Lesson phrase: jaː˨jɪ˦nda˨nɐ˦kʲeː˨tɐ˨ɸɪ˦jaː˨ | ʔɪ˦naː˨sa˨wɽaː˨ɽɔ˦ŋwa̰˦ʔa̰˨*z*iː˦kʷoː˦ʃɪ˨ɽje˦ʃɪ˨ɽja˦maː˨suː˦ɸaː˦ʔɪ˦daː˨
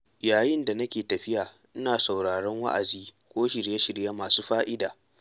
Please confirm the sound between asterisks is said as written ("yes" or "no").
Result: yes